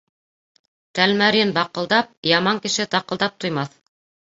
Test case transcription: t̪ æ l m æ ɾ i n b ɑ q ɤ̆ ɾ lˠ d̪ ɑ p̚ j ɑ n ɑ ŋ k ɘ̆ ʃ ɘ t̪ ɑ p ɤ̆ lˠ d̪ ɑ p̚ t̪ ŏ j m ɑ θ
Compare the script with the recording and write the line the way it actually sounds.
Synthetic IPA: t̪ æ l m æ ɾ i n b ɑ q ɤ̆ lˠ d̪ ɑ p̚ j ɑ m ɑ ŋ k ɘ̆ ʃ ɘ t̪ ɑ q ɤ̆ lˠ d̪ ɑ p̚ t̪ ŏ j m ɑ θ